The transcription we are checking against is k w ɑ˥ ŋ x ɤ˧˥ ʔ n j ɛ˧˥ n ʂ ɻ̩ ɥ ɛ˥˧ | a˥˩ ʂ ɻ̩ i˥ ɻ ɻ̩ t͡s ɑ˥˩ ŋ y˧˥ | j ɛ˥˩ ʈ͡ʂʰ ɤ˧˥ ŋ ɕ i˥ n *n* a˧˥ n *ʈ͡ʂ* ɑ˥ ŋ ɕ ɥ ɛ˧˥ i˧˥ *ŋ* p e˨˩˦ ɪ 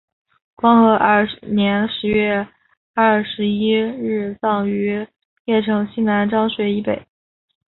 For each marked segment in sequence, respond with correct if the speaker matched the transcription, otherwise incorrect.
correct, correct, incorrect

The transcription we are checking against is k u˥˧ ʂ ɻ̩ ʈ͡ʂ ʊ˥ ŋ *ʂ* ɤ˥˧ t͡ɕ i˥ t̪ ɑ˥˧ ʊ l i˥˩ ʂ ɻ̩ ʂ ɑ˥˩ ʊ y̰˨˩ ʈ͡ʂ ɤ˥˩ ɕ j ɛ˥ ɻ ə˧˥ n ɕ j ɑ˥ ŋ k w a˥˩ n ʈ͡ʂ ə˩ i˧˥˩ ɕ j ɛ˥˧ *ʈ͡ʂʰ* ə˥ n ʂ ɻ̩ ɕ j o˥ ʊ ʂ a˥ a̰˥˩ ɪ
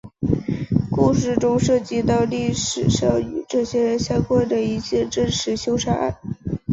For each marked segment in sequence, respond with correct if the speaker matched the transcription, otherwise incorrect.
correct, incorrect

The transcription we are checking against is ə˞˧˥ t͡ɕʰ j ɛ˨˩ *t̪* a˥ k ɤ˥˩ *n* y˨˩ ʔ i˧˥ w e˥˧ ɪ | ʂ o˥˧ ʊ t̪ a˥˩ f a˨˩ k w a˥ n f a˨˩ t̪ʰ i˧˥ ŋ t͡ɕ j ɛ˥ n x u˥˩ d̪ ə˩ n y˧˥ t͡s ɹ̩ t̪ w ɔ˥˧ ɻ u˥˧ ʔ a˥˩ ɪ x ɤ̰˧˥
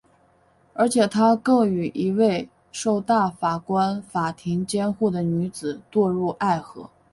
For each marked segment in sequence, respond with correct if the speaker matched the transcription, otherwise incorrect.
incorrect, incorrect

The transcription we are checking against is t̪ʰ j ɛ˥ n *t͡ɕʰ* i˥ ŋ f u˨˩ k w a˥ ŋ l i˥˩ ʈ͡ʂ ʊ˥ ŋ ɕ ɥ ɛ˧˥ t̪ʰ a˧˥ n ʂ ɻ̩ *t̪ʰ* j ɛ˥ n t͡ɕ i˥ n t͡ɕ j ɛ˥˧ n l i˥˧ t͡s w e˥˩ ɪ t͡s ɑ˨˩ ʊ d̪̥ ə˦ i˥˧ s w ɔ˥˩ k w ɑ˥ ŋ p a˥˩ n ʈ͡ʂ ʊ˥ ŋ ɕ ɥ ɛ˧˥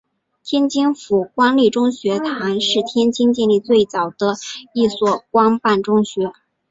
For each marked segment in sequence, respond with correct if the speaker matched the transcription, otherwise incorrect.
incorrect, correct

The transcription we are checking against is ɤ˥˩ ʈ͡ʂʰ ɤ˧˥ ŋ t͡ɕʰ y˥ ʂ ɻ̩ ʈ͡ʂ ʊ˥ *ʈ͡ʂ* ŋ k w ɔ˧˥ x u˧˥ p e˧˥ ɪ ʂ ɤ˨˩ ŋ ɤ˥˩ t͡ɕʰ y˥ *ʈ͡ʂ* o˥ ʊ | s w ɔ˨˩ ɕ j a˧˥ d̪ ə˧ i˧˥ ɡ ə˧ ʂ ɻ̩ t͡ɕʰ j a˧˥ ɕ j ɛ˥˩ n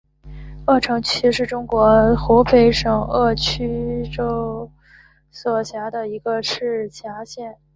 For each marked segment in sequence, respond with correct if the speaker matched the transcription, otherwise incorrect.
incorrect, correct

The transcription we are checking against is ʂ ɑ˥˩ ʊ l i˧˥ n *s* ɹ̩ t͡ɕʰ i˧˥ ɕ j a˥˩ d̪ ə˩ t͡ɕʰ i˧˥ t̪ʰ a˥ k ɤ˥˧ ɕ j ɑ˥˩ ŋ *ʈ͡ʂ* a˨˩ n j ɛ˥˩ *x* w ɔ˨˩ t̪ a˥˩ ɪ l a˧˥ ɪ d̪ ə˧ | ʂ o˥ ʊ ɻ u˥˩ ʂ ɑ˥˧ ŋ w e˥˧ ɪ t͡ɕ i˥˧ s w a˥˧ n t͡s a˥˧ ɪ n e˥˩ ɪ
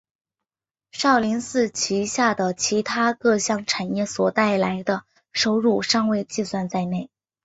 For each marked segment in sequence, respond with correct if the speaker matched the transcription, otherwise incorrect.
correct, incorrect, incorrect

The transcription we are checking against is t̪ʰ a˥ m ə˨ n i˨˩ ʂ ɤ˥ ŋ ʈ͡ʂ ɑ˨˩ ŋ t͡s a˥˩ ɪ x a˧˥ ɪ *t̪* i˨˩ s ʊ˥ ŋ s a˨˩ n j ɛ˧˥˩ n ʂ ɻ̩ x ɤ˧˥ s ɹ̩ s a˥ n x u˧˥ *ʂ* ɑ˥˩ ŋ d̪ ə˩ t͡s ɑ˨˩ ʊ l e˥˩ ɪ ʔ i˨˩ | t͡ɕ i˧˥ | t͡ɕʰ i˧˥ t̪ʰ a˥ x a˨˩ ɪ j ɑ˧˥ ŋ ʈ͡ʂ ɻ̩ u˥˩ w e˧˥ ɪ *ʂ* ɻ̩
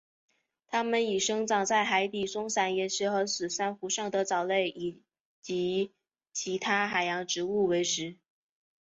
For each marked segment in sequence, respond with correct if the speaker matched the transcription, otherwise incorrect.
correct, correct, correct

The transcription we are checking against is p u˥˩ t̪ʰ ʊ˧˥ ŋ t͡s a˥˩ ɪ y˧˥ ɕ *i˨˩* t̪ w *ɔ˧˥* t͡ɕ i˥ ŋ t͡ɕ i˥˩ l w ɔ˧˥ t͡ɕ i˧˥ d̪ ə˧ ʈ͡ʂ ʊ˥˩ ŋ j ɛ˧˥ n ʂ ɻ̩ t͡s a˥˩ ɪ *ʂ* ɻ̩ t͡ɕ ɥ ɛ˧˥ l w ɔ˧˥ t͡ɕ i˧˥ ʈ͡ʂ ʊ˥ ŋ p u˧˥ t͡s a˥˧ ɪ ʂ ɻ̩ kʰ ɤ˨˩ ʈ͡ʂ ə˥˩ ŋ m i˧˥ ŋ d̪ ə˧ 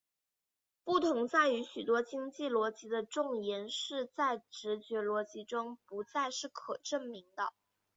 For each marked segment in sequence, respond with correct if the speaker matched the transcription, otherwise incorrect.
incorrect, incorrect, incorrect

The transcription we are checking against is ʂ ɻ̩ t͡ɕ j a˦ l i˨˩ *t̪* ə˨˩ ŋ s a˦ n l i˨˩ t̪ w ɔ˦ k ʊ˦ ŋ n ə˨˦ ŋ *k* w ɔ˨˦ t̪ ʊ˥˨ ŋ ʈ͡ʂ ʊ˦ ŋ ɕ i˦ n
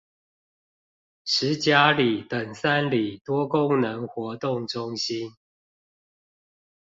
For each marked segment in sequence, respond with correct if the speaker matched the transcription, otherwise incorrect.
correct, incorrect

